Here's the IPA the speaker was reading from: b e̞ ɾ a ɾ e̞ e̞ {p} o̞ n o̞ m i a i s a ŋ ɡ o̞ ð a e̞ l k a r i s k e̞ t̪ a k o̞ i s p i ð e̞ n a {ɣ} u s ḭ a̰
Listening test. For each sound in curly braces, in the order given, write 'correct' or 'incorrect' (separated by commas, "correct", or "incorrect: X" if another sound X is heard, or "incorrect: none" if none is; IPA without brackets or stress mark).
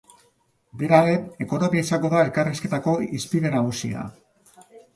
incorrect: k, correct